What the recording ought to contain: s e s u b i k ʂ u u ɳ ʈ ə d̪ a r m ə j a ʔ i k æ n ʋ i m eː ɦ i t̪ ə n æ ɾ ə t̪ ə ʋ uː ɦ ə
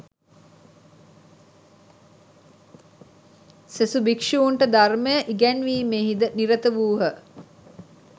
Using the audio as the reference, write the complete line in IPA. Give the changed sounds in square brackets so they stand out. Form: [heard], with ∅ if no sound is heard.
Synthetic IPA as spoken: s e s u b i k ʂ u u ɳ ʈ ə d̪ a r m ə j [ə] ʔ i [ɡ] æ n ʋ [iː] m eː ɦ i [d̪] ə n [i] ɾ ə t̪ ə ʋ uː ɦ ə